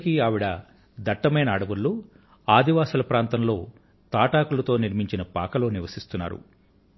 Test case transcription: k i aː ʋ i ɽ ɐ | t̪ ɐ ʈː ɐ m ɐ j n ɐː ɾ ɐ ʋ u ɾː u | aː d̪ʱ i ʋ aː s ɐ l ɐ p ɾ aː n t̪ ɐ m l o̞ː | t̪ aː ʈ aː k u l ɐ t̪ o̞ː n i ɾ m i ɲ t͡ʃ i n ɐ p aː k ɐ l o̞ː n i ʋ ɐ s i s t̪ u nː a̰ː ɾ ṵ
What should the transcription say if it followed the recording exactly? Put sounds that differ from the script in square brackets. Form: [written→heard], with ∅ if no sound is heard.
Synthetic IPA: k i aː ʋ i ɽ ɐ | [t̪→d̪] ɐ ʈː ɐ m ɐ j n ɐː [ɾ→ɽ] ɐ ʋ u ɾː u | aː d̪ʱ i ʋ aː s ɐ l ɐ p ɾ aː n t̪ ɐ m l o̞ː | t̪ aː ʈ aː k u l ɐ t̪ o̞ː n i ɾ m i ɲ t͡ʃ i n ɐ p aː k ɐ l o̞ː n i ʋ ɐ s i s t̪ u nː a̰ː ɾ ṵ